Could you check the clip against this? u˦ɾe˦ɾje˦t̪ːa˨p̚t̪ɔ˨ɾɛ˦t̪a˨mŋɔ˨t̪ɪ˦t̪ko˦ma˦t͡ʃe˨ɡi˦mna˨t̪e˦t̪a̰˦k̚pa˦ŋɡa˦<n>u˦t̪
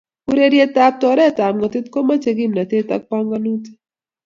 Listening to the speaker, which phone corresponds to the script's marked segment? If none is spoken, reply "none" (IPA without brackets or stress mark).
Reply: n